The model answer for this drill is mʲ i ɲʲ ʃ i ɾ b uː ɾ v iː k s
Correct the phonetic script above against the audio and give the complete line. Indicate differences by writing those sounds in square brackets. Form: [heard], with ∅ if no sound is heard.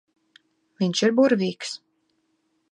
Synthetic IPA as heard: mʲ i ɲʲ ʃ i ɾ b [u] ɾ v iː k s